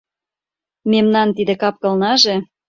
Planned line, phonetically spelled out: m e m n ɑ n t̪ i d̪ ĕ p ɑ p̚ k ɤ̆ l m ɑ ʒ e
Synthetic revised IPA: m e m n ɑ n t̪ i d̪ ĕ k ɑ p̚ k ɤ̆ l n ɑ ʒ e